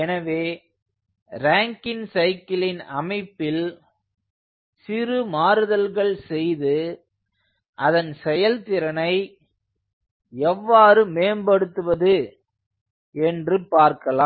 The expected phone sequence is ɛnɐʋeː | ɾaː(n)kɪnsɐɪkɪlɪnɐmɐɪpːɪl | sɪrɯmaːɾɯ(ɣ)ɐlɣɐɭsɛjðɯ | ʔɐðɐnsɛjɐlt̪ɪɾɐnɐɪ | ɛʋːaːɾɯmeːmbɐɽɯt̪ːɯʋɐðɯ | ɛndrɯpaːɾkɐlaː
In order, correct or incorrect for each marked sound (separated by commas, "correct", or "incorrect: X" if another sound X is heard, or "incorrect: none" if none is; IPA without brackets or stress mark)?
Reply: incorrect: ŋ, incorrect: ð